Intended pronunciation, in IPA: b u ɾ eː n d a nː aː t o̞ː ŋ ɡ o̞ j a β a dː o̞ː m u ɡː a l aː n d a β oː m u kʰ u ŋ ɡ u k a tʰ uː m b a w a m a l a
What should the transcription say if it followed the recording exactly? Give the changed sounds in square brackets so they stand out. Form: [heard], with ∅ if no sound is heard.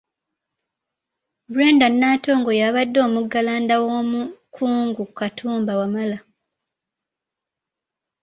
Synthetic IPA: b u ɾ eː n d a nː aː t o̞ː ŋ ɡ o̞ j a β a dː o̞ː m u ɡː a l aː n d a [w] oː m u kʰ [uː] ŋ ɡ u k a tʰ uː m b a w a m a l a